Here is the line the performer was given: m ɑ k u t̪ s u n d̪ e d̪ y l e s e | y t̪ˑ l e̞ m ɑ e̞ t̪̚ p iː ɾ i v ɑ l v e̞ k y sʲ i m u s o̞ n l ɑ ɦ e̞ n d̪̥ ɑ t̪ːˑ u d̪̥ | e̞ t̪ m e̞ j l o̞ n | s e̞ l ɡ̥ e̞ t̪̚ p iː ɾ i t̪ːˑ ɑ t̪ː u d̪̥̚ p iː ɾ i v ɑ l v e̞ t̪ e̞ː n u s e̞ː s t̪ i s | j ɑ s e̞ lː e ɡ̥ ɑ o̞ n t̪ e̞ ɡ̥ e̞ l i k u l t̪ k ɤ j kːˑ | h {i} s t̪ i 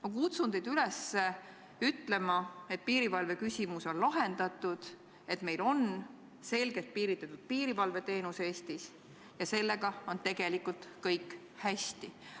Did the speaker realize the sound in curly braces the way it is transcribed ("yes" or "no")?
no